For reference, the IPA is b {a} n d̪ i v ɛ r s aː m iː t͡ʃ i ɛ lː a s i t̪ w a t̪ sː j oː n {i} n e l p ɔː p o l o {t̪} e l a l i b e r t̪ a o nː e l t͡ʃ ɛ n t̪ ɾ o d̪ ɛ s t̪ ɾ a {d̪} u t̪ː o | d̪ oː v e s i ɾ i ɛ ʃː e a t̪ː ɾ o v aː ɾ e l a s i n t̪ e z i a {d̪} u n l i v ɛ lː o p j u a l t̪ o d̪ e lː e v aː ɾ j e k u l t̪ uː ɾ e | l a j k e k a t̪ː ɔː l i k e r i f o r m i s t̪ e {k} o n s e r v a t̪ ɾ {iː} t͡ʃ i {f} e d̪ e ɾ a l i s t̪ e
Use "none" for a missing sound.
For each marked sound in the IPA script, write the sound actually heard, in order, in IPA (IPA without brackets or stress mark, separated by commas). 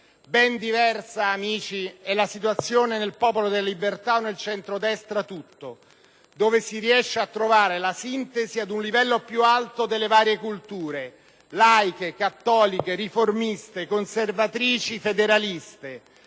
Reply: ɛ, e, d̪, t̪, d̪, k, iː, f